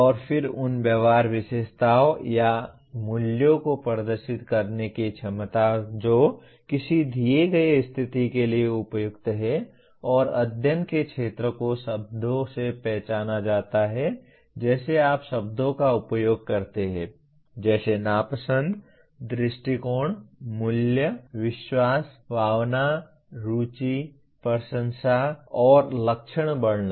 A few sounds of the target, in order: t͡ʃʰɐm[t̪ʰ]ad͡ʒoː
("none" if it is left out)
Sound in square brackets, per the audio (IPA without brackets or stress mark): t̪